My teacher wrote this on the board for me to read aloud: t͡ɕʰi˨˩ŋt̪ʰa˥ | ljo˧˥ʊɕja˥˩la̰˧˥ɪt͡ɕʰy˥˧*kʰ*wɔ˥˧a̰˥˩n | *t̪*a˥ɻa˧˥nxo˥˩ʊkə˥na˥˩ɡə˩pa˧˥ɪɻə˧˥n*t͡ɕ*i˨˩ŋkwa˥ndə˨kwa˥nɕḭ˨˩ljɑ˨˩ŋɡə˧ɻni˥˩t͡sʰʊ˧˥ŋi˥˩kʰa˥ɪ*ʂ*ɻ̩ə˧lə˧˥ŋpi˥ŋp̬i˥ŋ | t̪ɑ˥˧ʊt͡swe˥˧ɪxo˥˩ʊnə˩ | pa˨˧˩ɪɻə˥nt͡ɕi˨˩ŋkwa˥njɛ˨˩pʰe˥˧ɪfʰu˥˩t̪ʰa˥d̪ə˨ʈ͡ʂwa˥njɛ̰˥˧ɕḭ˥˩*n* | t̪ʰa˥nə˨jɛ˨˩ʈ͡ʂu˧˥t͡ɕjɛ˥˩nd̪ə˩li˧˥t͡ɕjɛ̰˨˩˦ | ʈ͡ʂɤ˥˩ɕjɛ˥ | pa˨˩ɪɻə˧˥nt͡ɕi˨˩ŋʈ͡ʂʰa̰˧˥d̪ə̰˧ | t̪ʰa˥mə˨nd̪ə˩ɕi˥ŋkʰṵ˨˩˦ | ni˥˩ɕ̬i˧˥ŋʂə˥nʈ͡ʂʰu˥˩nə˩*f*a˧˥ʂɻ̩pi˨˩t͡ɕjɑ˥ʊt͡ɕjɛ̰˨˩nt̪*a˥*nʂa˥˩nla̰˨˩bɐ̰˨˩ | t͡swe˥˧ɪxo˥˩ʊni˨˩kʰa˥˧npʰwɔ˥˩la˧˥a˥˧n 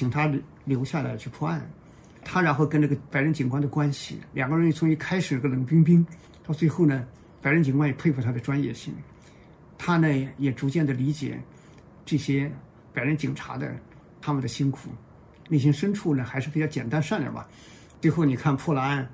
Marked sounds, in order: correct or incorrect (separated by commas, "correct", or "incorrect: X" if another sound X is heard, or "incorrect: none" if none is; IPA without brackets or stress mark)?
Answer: incorrect: pʰ, incorrect: t̪ʰ, correct, correct, incorrect: ŋ, incorrect: x, correct